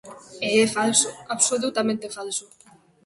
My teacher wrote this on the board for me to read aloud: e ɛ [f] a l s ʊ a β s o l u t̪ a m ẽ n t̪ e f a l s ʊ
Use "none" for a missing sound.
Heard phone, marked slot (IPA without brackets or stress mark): f